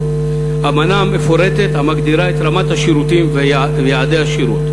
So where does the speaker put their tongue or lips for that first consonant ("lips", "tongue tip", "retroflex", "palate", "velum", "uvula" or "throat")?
lips